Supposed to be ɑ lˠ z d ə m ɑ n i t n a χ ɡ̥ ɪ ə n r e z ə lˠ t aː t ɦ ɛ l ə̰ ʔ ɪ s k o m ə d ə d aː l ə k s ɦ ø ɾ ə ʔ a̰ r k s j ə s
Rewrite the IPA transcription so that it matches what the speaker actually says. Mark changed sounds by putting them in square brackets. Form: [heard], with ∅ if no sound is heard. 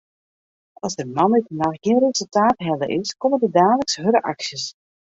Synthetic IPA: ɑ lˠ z d ə m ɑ n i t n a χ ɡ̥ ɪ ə n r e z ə lˠ t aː t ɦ ɛ l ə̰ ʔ ɪ s k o m ə d ə d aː l ə k s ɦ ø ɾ ə ʔ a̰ [∅] k s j ə s